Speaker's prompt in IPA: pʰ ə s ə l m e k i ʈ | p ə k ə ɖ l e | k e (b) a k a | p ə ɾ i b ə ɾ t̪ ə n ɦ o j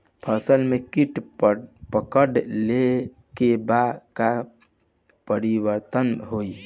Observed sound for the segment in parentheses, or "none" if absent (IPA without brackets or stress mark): b